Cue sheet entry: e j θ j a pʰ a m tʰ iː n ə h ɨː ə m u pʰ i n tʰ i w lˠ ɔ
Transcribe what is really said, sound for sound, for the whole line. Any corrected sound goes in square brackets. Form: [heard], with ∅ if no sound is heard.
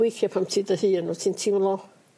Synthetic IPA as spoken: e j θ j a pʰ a m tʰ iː [d] ə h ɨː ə [n] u [tʰ] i n tʰ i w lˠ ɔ